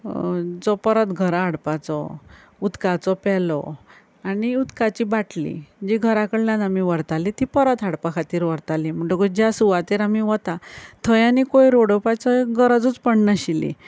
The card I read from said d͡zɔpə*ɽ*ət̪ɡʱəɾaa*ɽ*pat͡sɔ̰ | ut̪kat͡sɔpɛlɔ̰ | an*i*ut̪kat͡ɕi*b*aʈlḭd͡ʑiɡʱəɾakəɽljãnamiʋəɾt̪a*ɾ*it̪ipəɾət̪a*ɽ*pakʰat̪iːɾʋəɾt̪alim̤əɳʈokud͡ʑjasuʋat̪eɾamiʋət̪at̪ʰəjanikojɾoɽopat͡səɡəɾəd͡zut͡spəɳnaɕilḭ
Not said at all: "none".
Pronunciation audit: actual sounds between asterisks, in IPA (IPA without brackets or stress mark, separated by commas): ɾ, ɽ, i, b, l, ɽ